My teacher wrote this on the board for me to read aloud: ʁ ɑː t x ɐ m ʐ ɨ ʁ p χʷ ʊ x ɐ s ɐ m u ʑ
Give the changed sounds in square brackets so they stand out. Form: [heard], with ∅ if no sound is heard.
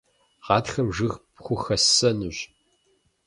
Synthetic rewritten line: ʁ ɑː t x ɐ m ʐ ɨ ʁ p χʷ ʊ x ɐ s ɐ [n] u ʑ